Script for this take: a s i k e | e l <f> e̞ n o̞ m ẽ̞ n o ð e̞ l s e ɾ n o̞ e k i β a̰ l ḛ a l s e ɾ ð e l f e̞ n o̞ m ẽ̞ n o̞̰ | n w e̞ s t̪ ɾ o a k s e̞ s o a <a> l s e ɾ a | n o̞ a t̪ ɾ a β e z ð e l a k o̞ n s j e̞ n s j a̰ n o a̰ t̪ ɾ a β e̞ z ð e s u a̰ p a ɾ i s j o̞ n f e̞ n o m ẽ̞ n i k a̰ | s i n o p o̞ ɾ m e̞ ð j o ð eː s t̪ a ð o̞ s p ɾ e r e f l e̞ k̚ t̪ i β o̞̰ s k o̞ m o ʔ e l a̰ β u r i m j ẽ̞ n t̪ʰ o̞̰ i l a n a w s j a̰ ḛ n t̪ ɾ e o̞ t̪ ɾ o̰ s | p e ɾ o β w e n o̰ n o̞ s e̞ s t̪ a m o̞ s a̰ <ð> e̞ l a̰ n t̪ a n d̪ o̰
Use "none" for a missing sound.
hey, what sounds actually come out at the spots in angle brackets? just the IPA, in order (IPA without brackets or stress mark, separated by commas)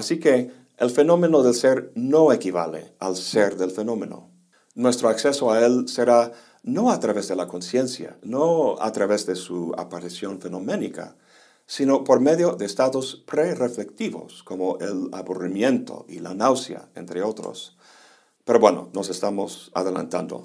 f, e, ð